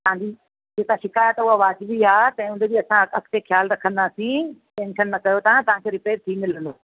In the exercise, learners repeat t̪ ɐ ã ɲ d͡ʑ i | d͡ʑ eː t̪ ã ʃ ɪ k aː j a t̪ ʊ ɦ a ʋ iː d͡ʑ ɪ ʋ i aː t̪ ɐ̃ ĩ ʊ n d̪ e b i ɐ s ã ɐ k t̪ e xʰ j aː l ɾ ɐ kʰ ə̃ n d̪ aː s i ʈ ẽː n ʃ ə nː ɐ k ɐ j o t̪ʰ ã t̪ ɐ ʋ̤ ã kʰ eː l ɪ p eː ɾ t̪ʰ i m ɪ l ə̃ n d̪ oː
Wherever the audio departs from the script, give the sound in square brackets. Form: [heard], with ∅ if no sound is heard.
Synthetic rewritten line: t̪ ɐ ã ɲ d͡ʑ i | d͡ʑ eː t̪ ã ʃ ɪ k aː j [ə] t̪ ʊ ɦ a ʋ [aː] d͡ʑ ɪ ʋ i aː t̪ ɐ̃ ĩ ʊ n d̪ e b i ɐ s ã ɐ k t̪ e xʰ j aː l ɾ ɐ kʰ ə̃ n d̪ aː s [ĩ] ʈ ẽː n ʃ ə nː ɐ k ɐ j o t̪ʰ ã t̪ ɐ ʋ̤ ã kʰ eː [ɾ] ɪ p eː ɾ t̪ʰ i m ɪ l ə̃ n d̪ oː